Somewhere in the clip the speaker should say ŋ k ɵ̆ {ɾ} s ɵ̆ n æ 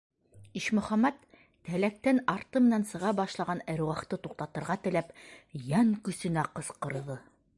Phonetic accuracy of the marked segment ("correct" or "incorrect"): incorrect